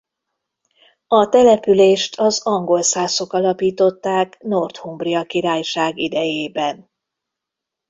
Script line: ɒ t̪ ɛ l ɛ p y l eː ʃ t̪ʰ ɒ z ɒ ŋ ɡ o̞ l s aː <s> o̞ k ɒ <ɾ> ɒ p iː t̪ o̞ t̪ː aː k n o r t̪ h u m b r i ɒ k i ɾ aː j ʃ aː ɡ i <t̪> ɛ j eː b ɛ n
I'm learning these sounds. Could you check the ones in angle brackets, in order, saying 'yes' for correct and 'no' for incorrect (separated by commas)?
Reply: yes, no, no